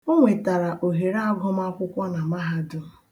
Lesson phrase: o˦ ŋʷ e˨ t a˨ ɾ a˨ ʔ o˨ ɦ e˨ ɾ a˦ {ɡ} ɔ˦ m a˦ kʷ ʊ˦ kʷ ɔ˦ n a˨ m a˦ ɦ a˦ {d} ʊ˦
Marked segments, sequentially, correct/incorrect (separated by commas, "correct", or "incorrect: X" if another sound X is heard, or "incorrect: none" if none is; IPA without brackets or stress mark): correct, correct